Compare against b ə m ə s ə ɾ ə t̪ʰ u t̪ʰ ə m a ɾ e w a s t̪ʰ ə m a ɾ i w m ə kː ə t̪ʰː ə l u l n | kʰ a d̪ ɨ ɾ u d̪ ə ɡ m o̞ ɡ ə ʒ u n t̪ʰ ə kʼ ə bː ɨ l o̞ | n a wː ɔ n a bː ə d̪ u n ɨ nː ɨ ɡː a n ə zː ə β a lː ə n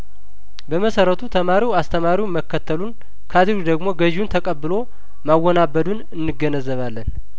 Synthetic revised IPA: b ə m ə s ə ɾ ə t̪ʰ u t̪ʰ ə m a ɾ i w a s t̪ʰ ə m a ɾ i w m ə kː ə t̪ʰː ə l u n | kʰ a d̪ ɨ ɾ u d̪ ə ɡ m o̞ ɡ ə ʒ u n t̪ʰ ə kʼ ə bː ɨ l o̞ | m a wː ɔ n a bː ə d̪ u n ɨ nː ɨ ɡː ə n ə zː ə β a lː ə n